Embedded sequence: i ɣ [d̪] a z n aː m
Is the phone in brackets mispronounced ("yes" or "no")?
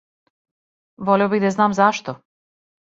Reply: no